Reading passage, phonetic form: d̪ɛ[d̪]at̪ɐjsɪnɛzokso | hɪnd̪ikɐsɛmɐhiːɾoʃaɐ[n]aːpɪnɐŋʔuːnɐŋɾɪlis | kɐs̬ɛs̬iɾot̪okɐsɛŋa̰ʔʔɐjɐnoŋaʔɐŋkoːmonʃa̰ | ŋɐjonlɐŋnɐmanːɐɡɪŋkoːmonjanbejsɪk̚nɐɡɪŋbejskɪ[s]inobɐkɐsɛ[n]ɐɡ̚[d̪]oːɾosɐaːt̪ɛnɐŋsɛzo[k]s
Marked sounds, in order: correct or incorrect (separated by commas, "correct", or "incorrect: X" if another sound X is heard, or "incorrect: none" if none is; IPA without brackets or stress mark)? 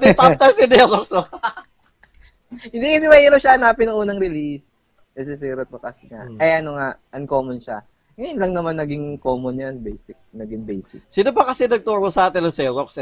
incorrect: t̪, correct, correct, correct, incorrect: t̪, correct